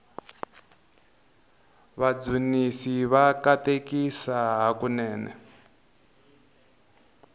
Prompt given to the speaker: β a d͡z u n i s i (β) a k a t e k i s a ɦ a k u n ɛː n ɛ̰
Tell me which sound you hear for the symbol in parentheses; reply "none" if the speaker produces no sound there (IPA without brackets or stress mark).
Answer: β